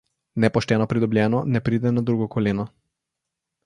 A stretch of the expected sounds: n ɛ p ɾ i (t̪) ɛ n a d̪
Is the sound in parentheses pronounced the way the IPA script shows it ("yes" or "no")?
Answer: no